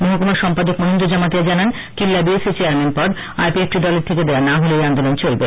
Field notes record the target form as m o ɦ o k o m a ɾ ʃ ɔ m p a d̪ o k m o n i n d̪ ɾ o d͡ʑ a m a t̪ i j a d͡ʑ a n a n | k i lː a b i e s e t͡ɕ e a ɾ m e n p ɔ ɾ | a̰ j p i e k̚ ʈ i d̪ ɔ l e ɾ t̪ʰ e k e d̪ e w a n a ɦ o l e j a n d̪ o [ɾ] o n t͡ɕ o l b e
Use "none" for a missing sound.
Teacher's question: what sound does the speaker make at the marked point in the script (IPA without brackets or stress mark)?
l